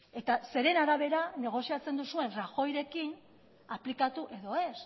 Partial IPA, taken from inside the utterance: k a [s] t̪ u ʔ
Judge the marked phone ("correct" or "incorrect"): incorrect